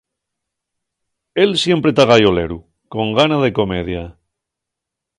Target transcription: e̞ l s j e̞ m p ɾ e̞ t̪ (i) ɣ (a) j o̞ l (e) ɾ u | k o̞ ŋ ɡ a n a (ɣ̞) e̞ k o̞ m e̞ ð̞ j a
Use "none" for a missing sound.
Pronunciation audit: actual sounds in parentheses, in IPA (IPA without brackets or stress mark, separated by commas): a, a, e, ð̞